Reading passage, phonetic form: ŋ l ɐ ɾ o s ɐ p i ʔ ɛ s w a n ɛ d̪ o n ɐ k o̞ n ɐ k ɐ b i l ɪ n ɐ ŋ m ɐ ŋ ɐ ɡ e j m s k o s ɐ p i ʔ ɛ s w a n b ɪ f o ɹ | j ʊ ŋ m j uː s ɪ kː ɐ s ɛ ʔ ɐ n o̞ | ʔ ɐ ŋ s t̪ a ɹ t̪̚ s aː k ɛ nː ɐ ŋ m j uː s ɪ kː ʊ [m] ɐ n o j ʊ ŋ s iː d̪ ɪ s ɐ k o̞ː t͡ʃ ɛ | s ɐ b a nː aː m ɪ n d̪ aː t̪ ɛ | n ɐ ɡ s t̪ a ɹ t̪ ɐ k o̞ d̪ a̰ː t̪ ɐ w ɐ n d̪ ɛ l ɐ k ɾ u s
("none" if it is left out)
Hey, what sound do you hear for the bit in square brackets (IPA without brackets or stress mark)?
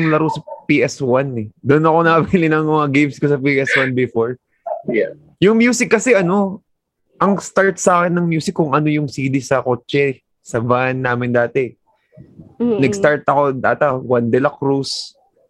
ŋ